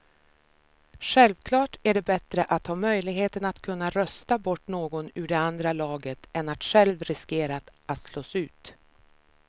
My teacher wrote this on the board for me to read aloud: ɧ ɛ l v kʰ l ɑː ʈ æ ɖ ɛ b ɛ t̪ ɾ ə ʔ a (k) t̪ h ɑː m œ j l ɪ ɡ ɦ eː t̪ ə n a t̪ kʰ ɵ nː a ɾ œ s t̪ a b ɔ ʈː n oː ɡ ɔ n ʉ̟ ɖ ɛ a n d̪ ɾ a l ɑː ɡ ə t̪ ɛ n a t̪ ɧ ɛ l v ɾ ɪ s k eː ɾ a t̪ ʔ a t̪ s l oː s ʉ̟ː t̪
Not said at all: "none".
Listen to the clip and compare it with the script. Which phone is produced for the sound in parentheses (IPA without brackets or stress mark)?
none